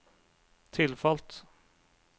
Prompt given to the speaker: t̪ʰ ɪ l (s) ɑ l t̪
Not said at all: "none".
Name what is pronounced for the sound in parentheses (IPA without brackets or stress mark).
f